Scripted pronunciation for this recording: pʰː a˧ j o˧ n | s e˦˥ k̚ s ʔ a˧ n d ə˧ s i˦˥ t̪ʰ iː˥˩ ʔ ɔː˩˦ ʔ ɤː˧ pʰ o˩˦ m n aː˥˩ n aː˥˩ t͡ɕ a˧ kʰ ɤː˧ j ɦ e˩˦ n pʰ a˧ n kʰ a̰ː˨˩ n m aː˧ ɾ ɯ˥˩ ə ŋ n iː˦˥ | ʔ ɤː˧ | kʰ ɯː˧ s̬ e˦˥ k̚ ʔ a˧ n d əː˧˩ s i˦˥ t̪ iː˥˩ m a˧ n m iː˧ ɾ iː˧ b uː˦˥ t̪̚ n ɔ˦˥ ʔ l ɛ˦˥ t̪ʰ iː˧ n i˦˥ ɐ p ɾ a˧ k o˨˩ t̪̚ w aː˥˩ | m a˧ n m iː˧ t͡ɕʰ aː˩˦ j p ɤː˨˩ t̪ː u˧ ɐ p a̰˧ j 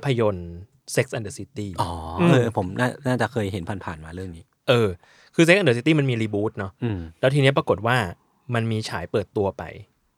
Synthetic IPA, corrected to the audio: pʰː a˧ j o˧ n | s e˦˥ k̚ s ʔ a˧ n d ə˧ s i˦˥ t̪ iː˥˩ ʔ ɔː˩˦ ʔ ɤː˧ pʰ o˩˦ m n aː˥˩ n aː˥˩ t͡ɕ a˨˩ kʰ ɤː˧ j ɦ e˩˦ n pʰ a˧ n pʰ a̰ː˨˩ n m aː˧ ɾ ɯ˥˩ ə ŋ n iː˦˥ | ʔ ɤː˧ | kʰ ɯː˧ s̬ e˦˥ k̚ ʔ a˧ n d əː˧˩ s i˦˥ t̪ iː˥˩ m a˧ n m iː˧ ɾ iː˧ b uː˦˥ t̪̚ n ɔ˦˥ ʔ l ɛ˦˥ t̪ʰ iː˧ n i˦˥ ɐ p ɾ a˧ k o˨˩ t̪̚ w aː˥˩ | m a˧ n m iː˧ t͡ɕʰ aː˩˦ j p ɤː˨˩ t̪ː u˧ ɐ p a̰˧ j